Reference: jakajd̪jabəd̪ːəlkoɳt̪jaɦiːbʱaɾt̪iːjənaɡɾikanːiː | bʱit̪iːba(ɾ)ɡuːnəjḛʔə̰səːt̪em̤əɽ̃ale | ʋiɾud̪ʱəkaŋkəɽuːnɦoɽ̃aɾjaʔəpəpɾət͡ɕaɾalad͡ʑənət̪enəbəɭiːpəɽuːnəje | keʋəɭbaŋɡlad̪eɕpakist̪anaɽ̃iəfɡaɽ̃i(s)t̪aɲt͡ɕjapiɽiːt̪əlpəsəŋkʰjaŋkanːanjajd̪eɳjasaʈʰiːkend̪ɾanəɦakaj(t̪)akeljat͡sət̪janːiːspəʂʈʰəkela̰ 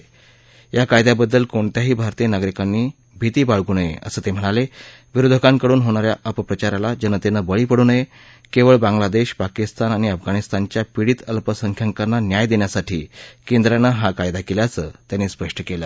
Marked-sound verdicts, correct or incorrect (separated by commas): incorrect, correct, incorrect